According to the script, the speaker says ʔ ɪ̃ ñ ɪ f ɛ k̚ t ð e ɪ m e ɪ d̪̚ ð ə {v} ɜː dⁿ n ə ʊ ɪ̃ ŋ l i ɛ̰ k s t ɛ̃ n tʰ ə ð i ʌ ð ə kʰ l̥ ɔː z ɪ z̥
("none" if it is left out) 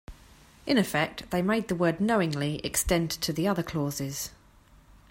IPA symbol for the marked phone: w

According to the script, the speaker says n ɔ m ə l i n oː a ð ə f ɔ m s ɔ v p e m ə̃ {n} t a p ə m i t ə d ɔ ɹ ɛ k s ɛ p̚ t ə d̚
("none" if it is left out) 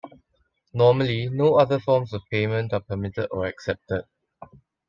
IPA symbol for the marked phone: n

